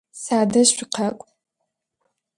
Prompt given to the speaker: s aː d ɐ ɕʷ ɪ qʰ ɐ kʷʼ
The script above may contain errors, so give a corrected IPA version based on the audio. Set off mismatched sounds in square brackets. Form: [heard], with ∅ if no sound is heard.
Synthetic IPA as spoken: s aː d ɐ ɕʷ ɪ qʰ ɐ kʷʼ